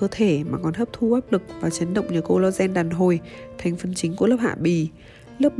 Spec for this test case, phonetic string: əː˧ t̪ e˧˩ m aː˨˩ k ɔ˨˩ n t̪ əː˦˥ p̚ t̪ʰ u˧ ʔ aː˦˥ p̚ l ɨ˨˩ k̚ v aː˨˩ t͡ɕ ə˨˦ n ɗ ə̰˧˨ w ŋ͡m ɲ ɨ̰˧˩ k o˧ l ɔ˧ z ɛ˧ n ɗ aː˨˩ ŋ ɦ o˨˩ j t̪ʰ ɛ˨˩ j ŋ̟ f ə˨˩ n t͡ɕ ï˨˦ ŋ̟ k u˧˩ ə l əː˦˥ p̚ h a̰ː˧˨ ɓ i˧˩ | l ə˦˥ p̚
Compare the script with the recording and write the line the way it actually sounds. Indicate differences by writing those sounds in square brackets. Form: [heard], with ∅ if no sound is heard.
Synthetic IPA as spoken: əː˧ [t̪ʰ] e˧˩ m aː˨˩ k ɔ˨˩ n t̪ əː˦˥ p̚ t̪ʰ u˧ ʔ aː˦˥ p̚ l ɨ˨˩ k̚ v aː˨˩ t͡ɕ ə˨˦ n ɗ ə̰˧˨ w ŋ͡m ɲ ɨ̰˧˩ k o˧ l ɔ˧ z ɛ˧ n ɗ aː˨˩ [n] ɦ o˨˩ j t̪ʰ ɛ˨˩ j ŋ̟ f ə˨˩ n t͡ɕ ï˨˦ ŋ̟ k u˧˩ ə l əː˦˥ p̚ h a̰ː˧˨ ɓ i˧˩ | l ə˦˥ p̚